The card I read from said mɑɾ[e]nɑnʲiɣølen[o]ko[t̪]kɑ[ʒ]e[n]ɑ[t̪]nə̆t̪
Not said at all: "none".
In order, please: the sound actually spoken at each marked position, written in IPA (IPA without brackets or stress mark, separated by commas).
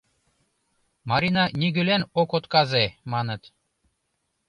i, o, t̪, z, m, none